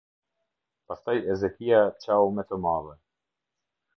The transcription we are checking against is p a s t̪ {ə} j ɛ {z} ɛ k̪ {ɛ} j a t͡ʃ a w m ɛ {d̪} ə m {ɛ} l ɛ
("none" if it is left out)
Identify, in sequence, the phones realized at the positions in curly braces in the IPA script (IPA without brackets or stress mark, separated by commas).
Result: a, z, i, t̪, a